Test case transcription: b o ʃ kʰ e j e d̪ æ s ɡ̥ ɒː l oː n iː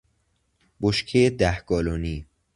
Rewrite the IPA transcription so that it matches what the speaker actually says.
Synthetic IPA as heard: b o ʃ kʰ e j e d̪ æ h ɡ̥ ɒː l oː n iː